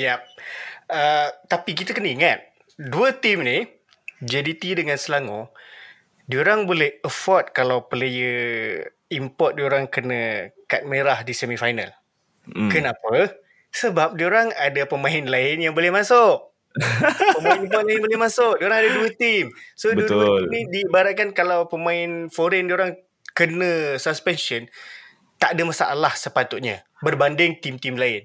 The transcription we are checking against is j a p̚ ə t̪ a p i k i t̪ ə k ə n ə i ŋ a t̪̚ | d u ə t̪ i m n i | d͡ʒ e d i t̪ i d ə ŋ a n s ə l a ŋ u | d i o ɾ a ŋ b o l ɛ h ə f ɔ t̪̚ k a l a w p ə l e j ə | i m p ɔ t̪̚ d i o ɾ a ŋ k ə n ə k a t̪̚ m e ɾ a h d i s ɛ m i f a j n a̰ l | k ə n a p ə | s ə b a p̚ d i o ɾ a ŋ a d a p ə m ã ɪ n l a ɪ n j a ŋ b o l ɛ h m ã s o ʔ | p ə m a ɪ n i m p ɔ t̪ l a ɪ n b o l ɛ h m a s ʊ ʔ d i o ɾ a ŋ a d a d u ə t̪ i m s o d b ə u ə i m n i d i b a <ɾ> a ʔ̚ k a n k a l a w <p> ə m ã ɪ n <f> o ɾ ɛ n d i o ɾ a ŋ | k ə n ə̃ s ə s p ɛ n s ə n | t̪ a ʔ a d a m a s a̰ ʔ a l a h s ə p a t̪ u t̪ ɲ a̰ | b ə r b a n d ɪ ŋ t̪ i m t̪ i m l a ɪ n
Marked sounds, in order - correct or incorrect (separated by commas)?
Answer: correct, correct, correct